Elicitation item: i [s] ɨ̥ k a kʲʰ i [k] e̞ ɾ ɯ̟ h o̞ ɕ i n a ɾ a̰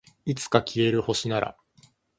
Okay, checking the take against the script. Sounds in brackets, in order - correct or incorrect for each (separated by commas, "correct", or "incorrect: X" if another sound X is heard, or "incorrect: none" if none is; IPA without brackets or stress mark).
incorrect: t͡s, incorrect: none